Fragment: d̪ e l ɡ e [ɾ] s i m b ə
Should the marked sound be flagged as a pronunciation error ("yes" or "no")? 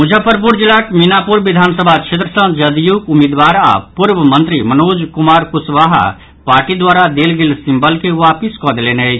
yes